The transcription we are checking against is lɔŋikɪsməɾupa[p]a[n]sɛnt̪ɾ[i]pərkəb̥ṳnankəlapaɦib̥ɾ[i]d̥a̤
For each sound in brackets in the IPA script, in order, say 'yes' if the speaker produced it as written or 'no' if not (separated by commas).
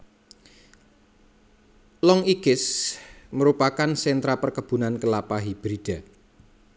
no, yes, no, yes